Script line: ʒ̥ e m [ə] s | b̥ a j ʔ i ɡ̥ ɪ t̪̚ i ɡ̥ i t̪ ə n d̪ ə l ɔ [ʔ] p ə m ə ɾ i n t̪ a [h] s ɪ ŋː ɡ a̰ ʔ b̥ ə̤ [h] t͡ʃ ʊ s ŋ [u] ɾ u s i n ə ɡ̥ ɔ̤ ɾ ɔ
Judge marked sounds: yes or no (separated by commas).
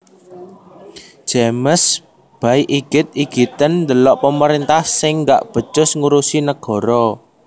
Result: yes, yes, yes, no, yes